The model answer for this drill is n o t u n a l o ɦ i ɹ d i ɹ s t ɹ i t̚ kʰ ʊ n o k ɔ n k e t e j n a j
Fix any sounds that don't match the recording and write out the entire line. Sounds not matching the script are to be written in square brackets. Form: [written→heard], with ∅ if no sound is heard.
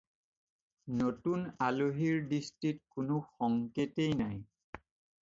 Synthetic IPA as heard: n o t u n a l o ɦ i ɹ d i [ɹ→∅] s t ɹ i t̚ [kʰ→k] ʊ n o [k→x] ɔ [n→ŋ] k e t e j n a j